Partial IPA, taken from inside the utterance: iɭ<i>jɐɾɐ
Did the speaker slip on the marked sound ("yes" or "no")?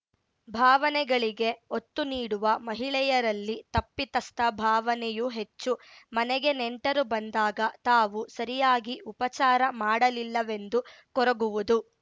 yes